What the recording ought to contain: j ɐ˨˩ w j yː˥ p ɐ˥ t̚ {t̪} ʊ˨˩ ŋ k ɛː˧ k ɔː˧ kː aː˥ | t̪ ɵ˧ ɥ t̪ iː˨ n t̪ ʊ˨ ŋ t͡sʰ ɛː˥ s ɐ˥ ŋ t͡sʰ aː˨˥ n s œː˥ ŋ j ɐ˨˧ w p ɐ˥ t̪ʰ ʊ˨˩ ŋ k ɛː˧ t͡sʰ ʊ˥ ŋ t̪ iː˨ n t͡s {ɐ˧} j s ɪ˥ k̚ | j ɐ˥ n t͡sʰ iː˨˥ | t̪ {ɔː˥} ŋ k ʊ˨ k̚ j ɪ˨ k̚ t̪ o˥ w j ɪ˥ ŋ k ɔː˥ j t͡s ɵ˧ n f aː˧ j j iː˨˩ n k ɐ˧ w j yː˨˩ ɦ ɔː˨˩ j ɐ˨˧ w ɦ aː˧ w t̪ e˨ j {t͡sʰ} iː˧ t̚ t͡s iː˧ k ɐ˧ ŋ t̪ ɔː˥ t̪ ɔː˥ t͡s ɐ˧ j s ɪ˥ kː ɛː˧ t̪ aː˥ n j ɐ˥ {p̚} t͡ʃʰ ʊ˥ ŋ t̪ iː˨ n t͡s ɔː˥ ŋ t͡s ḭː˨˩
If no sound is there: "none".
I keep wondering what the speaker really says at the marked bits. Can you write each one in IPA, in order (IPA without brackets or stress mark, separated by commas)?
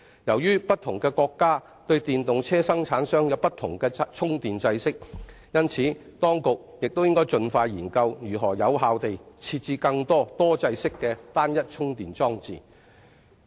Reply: t̪ʰ, ɐ˧, ɔː˥, t͡sʰ, t̚